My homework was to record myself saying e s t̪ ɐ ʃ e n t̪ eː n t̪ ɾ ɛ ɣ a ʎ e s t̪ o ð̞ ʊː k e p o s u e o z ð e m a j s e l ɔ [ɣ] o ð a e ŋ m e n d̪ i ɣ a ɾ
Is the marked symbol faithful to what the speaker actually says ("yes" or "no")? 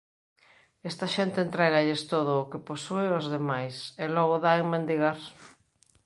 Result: yes